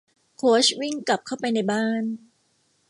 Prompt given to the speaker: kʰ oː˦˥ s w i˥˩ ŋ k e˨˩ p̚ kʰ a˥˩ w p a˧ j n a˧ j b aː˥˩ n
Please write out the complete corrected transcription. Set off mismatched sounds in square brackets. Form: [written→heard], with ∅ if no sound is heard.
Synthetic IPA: kʰ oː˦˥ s w i˥˩ ŋ k [e˨˩→a˨˩] p̚ kʰ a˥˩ w p a˧ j n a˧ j b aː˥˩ n